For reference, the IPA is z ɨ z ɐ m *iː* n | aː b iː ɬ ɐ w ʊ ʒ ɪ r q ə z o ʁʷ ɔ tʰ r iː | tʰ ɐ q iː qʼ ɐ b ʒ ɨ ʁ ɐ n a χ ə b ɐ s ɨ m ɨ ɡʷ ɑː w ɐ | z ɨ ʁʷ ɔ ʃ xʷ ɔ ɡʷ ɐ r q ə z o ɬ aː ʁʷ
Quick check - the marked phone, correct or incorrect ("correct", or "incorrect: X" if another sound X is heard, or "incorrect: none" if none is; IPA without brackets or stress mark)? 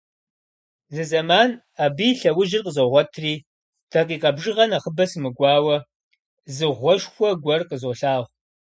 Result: incorrect: aː